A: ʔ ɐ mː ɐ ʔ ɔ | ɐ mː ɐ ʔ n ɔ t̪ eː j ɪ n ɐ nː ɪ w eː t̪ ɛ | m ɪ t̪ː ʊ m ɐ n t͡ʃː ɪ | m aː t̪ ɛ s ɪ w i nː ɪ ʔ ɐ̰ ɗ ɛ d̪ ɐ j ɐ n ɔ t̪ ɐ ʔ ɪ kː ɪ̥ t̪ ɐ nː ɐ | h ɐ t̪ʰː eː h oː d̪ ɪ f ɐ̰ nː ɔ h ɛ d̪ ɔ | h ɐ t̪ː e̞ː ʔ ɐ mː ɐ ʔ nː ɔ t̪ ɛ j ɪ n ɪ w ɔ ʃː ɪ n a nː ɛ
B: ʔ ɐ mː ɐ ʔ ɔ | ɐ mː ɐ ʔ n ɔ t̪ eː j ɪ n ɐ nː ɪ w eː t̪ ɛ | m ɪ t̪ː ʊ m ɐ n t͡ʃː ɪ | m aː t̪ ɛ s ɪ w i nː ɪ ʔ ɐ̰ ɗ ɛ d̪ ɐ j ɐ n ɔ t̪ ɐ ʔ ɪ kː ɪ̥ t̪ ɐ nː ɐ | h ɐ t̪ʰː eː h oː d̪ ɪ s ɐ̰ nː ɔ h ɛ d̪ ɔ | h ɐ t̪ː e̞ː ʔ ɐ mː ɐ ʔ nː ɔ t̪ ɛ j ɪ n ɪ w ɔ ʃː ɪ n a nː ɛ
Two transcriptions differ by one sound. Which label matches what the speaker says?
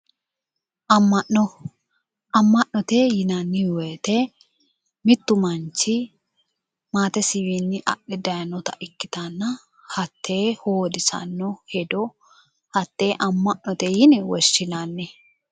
B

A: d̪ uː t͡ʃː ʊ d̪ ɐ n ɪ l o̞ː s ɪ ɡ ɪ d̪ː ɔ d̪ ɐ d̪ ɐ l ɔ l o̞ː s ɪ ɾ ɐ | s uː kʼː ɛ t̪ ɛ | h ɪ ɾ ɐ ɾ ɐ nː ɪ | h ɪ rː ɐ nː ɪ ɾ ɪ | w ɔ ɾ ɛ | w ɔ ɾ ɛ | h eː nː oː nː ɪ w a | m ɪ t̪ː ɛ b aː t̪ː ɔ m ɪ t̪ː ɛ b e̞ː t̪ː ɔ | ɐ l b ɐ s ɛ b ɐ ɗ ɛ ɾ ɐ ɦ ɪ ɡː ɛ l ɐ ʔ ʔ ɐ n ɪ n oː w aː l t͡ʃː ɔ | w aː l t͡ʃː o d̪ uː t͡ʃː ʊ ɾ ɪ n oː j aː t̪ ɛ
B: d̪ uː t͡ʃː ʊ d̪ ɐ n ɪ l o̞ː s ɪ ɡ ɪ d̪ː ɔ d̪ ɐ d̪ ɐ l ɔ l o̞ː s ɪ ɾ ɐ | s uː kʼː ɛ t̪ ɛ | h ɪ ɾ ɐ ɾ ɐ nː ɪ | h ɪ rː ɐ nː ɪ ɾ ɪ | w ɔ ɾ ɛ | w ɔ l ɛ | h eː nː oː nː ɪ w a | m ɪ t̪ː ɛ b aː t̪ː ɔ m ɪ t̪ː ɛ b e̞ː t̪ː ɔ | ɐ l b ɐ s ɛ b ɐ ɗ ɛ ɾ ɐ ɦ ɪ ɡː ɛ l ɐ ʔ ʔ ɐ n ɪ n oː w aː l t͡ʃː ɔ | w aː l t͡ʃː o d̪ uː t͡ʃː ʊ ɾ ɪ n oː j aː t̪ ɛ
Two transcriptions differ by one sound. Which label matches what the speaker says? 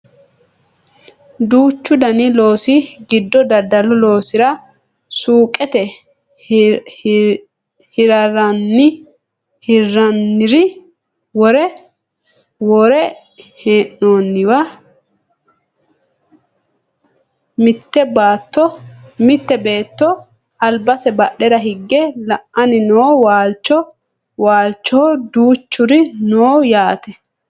A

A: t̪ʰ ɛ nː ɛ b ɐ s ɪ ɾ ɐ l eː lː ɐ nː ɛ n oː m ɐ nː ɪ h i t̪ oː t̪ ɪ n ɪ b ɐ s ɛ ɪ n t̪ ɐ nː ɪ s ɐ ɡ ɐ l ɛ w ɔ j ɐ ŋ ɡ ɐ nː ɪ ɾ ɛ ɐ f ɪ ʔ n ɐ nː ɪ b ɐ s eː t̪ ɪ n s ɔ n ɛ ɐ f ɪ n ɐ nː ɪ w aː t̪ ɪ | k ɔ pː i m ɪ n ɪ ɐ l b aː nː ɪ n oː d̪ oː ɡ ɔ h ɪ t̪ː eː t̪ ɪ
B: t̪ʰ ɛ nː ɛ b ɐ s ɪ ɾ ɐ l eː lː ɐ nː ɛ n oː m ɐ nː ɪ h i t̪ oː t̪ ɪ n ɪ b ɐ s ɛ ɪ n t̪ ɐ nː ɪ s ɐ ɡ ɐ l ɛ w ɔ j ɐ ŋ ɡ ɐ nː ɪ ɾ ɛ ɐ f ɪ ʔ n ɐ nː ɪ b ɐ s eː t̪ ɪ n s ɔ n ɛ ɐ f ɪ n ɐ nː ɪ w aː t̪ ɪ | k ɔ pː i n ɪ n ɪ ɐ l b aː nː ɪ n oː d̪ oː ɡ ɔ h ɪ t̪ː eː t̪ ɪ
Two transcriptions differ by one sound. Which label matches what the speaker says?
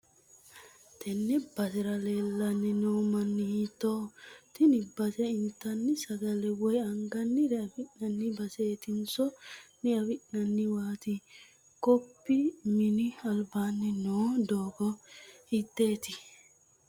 A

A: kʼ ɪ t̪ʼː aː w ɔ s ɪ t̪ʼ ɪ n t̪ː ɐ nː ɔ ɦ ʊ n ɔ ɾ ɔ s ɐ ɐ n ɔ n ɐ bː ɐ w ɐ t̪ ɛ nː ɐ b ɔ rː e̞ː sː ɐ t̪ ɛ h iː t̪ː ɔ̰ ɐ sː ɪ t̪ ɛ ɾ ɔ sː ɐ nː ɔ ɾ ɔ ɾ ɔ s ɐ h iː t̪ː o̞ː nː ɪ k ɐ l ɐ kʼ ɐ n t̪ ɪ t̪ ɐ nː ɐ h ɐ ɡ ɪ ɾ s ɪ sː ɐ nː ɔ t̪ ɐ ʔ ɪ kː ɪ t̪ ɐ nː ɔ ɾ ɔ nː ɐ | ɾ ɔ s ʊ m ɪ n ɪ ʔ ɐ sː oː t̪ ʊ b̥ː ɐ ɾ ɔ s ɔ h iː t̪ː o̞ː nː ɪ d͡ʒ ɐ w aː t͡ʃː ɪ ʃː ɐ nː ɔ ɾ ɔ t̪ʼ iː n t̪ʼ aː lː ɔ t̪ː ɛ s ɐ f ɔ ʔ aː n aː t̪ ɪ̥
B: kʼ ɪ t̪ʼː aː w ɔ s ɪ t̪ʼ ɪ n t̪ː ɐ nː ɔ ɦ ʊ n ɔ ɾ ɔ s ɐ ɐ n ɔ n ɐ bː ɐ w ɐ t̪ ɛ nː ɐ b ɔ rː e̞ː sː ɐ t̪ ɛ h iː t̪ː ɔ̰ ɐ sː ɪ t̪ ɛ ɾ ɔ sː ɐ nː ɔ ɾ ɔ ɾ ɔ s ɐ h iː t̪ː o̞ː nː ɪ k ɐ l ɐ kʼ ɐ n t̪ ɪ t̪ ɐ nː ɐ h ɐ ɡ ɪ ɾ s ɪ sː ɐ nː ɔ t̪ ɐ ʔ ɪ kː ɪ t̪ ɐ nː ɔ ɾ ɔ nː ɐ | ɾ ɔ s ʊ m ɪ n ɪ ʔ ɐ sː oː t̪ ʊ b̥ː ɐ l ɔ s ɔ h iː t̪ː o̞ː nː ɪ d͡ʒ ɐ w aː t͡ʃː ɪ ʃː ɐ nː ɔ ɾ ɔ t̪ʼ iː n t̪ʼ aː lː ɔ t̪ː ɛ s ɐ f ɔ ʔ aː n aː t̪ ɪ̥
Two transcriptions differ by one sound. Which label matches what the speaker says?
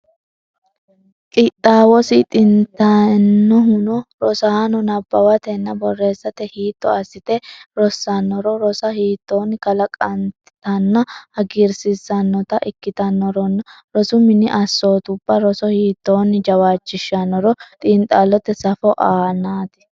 A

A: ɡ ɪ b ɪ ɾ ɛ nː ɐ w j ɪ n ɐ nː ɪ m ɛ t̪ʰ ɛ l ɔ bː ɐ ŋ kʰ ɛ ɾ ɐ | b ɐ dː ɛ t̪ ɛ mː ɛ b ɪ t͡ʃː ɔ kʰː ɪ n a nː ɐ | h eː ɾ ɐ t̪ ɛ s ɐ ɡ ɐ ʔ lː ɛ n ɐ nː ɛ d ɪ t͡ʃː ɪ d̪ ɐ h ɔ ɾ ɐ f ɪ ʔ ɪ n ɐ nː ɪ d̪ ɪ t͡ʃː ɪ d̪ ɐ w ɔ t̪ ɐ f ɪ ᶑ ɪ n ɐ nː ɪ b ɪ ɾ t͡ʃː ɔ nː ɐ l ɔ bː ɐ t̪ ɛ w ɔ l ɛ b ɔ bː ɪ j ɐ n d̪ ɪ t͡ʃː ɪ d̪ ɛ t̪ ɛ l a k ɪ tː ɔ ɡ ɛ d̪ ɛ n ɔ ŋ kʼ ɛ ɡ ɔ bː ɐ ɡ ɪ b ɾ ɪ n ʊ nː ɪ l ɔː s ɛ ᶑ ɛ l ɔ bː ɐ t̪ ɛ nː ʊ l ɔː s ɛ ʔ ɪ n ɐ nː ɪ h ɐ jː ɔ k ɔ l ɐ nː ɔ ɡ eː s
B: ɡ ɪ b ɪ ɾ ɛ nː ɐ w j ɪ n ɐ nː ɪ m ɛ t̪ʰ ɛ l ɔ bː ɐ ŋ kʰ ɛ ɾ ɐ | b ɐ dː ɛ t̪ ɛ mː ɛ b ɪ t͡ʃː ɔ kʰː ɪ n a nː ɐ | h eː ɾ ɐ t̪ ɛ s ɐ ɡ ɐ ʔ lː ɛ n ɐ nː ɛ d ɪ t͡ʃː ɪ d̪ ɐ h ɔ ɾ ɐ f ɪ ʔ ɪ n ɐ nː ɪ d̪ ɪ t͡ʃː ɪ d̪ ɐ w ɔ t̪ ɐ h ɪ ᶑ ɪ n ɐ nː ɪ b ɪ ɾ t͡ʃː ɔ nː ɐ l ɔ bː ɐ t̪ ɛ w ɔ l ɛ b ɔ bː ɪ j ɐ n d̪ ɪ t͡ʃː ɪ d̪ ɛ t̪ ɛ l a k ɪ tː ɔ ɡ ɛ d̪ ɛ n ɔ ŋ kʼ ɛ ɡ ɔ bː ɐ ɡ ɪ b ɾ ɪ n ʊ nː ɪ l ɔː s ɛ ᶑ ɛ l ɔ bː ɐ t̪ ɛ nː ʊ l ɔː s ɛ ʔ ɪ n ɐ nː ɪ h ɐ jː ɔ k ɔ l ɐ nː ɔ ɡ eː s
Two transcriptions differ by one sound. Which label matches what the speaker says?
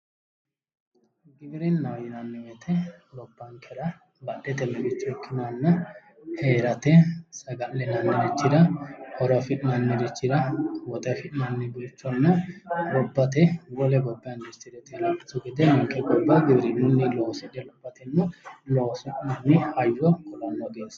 A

